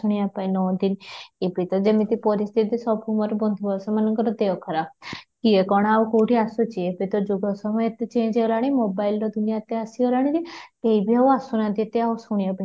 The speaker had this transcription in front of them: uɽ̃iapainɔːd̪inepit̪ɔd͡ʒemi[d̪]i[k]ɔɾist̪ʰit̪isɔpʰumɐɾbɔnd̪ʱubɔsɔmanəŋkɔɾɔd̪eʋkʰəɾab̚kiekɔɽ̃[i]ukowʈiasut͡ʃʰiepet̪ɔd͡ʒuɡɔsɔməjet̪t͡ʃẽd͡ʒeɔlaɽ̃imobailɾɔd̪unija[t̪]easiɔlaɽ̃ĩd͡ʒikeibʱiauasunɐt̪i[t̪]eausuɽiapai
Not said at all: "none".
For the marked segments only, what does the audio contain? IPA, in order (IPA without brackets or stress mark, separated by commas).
t̪, p, a, t̪, t̪